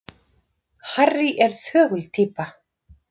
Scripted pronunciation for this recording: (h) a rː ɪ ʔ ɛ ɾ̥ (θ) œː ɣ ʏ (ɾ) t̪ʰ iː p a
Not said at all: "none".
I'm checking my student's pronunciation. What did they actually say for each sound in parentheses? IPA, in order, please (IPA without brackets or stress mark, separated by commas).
h, θ, l